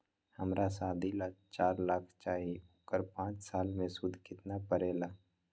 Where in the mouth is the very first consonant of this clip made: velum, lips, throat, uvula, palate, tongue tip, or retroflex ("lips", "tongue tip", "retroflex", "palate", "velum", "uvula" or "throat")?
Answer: throat